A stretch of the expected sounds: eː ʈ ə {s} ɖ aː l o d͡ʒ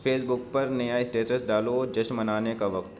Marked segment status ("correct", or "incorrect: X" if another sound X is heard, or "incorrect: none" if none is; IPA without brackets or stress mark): correct